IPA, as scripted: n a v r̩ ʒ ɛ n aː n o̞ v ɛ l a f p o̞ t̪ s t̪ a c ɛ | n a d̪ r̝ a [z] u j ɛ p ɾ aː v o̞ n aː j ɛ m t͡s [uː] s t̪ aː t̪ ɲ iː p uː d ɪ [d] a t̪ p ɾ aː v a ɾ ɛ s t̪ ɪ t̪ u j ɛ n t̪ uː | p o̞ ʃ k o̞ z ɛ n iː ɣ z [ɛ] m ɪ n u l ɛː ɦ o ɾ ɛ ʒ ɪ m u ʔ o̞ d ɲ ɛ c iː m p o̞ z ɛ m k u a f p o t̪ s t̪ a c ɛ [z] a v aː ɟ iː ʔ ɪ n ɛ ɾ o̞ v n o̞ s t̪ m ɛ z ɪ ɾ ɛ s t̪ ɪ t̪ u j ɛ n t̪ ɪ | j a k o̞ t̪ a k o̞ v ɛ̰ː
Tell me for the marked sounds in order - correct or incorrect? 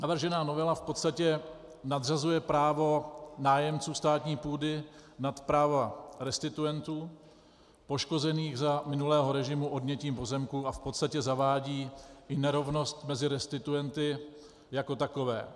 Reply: correct, correct, incorrect, incorrect, correct

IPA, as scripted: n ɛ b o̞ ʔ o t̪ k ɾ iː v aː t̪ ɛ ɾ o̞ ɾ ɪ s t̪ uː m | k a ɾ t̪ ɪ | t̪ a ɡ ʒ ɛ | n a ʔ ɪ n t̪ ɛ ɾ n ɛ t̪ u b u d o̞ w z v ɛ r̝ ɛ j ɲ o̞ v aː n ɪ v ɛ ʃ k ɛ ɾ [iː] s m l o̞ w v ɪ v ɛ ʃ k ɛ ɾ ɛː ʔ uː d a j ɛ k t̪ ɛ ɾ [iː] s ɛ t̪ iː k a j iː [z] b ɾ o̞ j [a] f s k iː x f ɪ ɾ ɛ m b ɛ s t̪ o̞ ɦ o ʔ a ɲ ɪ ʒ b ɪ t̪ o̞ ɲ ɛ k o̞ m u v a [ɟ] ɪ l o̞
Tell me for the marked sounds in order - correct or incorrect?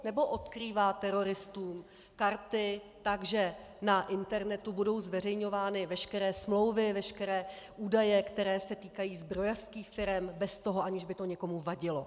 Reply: incorrect, incorrect, correct, correct, correct

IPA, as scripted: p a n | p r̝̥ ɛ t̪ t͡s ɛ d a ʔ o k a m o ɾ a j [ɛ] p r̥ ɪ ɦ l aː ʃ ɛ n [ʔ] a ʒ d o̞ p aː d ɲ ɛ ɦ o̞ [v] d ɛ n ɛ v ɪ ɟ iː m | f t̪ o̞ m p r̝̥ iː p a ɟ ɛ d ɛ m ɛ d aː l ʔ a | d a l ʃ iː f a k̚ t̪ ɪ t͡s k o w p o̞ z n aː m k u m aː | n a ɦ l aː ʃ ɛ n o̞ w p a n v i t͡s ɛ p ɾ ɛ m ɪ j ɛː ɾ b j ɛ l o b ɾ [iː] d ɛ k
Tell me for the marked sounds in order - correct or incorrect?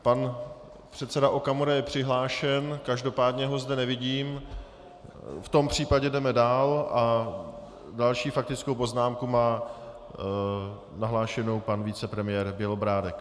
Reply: correct, incorrect, incorrect, incorrect

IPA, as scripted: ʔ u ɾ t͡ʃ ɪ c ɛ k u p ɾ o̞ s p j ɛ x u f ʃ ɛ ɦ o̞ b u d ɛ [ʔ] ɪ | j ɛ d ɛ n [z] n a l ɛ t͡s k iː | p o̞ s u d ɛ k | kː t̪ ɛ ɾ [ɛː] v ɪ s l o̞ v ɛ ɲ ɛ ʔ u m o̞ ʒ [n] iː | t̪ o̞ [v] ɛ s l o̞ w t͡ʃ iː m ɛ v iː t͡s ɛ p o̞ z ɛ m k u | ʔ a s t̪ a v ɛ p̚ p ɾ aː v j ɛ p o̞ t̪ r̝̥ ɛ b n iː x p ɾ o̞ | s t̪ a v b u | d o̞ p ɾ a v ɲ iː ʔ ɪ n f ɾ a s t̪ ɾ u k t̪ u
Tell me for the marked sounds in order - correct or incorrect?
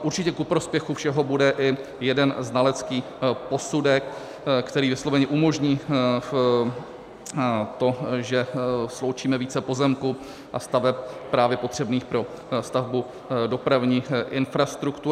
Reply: correct, correct, incorrect, incorrect, incorrect

